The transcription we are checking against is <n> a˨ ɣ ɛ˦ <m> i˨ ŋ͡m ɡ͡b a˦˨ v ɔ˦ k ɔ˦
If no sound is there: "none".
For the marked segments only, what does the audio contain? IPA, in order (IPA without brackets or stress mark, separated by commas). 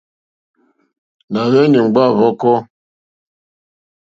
n, n